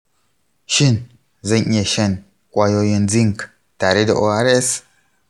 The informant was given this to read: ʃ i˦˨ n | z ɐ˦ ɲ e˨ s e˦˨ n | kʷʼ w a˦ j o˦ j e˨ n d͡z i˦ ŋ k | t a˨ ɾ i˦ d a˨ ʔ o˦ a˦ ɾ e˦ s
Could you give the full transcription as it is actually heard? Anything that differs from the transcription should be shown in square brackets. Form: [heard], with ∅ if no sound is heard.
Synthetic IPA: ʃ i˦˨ n | z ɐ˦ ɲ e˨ [ʃ] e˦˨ n | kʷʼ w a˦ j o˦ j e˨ n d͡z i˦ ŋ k | t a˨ ɾ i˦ d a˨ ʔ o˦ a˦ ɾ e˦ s